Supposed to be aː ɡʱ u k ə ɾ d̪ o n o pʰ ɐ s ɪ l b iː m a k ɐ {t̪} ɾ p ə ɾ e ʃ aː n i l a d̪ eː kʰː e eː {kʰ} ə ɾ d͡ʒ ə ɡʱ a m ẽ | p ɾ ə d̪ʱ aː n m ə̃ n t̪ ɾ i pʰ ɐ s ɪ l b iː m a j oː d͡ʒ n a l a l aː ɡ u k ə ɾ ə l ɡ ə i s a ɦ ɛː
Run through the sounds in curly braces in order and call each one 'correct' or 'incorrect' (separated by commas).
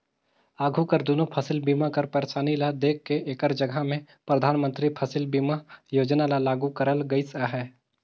incorrect, incorrect